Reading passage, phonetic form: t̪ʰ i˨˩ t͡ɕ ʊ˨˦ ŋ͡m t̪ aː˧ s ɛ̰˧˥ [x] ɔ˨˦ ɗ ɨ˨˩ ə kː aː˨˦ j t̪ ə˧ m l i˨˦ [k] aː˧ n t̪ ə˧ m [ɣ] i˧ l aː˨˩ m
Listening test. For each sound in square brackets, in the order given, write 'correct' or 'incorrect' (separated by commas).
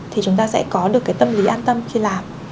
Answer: incorrect, incorrect, incorrect